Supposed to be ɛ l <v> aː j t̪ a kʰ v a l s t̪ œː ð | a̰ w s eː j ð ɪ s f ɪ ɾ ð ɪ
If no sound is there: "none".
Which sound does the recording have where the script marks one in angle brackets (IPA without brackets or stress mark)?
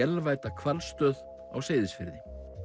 v